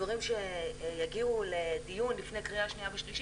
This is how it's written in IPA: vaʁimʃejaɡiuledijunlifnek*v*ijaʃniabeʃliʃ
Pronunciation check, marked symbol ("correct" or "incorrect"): incorrect